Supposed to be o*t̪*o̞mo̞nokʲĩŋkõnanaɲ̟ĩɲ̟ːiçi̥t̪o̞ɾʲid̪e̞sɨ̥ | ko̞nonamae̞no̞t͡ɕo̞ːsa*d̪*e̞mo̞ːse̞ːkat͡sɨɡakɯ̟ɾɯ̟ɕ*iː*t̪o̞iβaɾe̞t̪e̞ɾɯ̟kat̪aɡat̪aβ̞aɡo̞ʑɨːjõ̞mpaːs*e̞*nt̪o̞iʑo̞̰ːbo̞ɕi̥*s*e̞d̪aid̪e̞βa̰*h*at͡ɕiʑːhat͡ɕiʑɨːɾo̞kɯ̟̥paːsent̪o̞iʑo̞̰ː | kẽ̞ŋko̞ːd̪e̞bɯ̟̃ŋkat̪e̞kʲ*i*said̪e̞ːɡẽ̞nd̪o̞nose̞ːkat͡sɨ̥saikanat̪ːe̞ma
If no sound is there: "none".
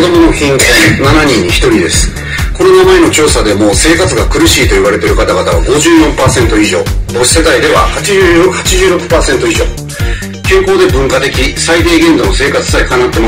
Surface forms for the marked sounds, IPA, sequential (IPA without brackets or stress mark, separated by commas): d̪, d̪, iː, ẽ̞, s, h, i